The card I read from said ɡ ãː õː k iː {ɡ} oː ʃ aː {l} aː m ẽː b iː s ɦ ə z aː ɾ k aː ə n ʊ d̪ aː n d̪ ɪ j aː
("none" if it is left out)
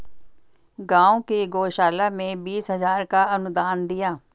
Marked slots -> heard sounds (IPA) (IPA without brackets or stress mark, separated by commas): ɡ, l